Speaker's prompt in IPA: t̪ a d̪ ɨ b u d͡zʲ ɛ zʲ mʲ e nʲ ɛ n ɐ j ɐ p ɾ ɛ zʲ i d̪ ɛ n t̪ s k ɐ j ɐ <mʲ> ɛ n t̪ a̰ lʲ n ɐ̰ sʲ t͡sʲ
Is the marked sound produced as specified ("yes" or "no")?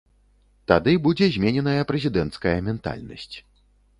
yes